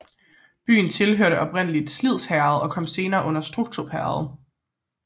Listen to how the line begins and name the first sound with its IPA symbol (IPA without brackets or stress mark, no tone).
b̥